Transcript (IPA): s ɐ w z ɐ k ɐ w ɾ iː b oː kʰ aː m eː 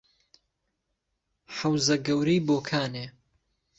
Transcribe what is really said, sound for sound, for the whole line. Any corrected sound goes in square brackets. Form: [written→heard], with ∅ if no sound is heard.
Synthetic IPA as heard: [s→ħ] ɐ w z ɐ [k→ɡ] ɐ w ɾ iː b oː kʰ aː [m→n] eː